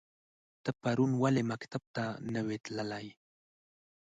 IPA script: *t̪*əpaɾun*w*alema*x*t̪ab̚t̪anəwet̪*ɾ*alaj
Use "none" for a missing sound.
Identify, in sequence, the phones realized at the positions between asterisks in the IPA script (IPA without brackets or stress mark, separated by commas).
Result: t̪, w, k, l